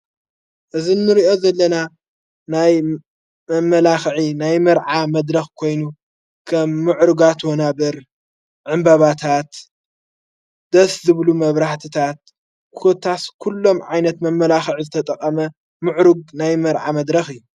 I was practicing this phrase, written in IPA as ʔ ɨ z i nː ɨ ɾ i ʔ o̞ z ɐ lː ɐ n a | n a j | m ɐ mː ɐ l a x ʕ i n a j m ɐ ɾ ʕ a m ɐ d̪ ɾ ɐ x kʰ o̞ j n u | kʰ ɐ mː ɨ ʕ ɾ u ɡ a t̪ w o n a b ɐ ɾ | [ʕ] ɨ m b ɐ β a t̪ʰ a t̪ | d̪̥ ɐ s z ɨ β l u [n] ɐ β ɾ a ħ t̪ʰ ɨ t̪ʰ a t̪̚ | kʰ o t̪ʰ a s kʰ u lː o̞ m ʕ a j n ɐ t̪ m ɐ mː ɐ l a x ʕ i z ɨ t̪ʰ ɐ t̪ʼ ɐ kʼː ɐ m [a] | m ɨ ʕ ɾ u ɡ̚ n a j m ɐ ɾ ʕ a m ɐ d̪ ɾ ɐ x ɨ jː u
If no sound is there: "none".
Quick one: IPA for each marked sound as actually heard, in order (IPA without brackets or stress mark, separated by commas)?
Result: ʕ, m, ɐ